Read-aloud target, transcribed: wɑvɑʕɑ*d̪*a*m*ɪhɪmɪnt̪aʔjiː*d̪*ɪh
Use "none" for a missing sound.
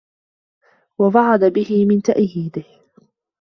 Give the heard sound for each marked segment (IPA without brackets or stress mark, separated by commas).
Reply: d̪, b, d̪